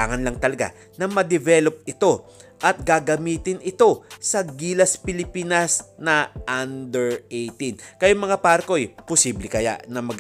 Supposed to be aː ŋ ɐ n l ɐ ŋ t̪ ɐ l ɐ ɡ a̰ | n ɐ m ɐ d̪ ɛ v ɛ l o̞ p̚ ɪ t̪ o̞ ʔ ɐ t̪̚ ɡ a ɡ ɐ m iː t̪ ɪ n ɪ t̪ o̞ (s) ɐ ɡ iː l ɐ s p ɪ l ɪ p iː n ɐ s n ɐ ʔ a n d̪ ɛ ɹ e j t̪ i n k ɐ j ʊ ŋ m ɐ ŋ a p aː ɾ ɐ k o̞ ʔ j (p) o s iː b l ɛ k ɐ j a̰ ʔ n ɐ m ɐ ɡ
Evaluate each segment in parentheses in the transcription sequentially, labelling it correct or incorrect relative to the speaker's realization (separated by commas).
correct, correct